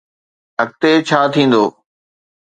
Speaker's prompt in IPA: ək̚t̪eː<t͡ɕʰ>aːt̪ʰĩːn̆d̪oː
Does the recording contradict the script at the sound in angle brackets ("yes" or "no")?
no